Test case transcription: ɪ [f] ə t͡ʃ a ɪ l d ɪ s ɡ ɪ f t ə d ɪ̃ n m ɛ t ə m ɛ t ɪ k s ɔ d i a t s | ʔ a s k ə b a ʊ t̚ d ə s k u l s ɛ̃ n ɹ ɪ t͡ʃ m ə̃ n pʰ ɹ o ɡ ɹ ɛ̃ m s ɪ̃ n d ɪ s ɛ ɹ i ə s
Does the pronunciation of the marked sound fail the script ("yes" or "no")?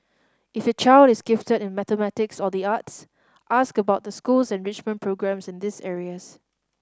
no